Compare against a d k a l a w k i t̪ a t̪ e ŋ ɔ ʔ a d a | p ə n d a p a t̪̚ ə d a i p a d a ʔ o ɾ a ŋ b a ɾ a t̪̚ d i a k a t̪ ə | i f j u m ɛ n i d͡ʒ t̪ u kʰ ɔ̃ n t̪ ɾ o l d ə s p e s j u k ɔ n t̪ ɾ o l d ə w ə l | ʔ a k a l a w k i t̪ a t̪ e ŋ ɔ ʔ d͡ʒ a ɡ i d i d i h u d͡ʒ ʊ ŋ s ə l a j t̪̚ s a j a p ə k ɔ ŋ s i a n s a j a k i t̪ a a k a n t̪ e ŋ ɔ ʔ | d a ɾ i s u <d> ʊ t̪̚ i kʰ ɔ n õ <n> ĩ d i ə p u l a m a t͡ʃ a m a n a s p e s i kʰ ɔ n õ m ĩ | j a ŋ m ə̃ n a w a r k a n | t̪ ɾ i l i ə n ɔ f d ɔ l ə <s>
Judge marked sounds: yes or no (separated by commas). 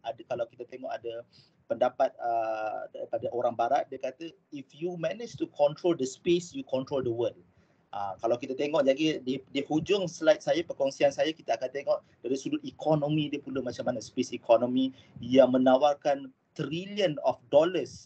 yes, no, yes